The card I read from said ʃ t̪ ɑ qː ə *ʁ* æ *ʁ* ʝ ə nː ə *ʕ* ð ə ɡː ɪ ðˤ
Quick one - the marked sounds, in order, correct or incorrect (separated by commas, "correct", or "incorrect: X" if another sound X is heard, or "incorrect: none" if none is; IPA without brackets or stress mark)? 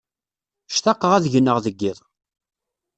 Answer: correct, incorrect: ð, incorrect: ʁ